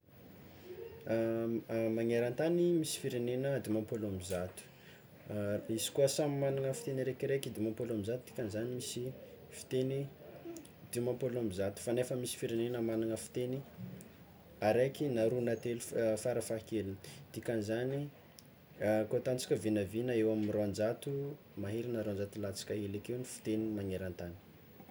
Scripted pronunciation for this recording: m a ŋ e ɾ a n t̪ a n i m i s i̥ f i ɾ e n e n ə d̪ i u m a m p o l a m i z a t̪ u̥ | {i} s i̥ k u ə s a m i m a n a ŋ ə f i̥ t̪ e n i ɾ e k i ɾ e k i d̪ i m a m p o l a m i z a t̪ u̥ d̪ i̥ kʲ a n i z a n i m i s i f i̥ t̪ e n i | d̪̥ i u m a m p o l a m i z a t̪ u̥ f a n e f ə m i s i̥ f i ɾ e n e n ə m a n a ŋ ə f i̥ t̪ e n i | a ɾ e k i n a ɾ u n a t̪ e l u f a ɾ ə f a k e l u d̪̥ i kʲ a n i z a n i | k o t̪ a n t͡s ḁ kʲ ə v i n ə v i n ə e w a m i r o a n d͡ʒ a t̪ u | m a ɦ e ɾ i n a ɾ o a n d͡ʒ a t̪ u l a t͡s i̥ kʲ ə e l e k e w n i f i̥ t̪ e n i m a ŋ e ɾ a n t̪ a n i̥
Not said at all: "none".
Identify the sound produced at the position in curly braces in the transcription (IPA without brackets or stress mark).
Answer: i